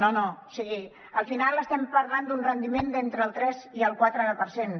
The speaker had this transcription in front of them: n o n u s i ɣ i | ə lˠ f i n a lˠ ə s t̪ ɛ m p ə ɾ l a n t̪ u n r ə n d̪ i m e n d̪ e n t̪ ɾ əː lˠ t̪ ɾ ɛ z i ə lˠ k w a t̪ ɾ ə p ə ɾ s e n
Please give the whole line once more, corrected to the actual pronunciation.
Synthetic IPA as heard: n o n o s i ɣ i | ə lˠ f i n a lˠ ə s t̪ ɛ m p ə ɾ l a n d̪ u n r ə n d̪ i m e n d̪ e n t̪ ɾ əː lˠ t̪ ɾ ɛ z i ə lˠ k w a t̪ ɾ ə p ə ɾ s e n